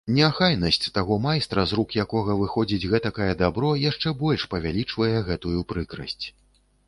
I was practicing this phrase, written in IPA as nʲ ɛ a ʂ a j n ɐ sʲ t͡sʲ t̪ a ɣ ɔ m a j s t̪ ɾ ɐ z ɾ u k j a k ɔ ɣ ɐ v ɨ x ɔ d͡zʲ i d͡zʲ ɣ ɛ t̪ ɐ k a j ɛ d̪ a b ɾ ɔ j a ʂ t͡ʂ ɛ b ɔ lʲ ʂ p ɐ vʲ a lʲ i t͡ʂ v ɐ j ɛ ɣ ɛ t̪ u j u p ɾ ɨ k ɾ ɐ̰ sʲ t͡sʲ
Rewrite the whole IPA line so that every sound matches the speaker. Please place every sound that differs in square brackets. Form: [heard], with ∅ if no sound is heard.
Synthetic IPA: nʲ ɛ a [x] a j n ɐ sʲ t͡sʲ t̪ a ɣ ɔ m a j s t̪ ɾ ɐ z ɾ u k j a k ɔ ɣ ɐ v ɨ x ɔ d͡zʲ i d͡zʲ ɣ ɛ t̪ ɐ k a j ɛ d̪ a b ɾ ɔ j a ʂ t͡ʂ ɛ b ɔ lʲ ʂ p ɐ vʲ a lʲ i t͡ʂ v ɐ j ɛ ɣ ɛ t̪ u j u p ɾ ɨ k ɾ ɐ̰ sʲ t͡sʲ

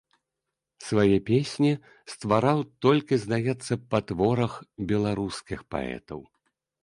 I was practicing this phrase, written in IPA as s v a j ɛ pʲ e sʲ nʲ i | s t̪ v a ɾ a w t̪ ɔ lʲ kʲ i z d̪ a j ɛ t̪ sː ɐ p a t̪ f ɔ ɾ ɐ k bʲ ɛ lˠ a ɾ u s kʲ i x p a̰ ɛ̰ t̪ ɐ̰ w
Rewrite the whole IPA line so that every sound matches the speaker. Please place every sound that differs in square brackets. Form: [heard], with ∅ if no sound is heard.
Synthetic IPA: s v a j ɛ pʲ e sʲ nʲ i | s t̪ v a ɾ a w t̪ ɔ lʲ kʲ i z d̪ a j ɛ t̪ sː ɐ p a t̪ [v] ɔ ɾ ɐ [x] bʲ ɛ lˠ a ɾ u s kʲ i x p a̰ ɛ̰ t̪ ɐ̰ w

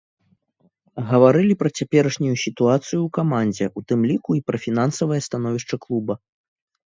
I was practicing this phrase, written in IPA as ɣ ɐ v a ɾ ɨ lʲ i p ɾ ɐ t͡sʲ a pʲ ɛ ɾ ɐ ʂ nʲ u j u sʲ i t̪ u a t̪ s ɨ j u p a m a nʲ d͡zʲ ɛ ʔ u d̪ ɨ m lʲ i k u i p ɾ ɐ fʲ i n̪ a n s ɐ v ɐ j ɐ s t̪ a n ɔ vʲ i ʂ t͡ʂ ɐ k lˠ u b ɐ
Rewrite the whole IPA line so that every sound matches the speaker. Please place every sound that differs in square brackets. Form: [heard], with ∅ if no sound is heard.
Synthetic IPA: ɣ ɐ v a ɾ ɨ lʲ i p ɾ ɐ t͡sʲ a pʲ ɛ ɾ ɐ ʂ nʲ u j u sʲ i t̪ u a t̪ s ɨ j u [k] a m a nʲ d͡zʲ ɛ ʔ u [t̪] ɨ m lʲ i k u i p ɾ ɐ fʲ i n̪ a n s ɐ v ɐ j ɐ s t̪ a n ɔ vʲ i ʂ t͡ʂ ɐ k lˠ u b ɐ

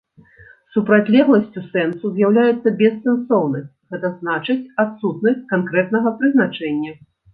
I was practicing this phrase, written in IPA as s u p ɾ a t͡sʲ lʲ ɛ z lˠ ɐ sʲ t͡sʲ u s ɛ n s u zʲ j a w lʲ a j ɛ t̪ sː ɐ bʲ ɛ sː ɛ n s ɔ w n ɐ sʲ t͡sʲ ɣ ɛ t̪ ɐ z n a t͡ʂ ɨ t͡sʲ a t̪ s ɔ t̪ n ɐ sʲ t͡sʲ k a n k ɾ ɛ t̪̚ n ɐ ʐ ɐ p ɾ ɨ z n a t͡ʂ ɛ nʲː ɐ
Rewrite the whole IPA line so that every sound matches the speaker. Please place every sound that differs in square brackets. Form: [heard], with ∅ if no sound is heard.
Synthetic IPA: s u p ɾ a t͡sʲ lʲ ɛ [ɣ] lˠ ɐ sʲ t͡sʲ u s ɛ n s u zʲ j a w lʲ a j ɛ t̪ sː ɐ bʲ ɛ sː ɛ n s ɔ w n ɐ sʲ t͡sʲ ɣ ɛ t̪ ɐ z n a t͡ʂ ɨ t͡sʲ a t̪ s [u] t̪ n ɐ sʲ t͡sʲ k a n k ɾ ɛ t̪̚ n ɐ [ɣ] ɐ p ɾ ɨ z n a t͡ʂ ɛ nʲː ɐ

